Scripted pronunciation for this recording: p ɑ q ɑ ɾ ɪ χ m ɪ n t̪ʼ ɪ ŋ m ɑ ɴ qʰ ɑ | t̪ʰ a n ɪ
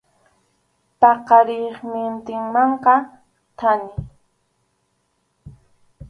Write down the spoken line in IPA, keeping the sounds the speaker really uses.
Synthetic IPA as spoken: p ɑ q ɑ ɾ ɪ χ m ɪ n t̪ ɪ ŋ m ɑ ɴ q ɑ | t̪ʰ a n ɪ